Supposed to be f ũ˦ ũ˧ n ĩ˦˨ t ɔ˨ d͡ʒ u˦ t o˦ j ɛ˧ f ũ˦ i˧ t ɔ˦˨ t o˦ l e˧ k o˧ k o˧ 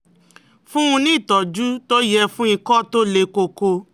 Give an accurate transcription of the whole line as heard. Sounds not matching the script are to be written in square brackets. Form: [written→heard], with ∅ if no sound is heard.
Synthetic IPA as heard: f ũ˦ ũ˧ n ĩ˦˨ t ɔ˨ d͡ʒ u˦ t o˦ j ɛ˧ f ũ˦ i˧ [t→k] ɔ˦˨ t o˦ l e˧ k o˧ k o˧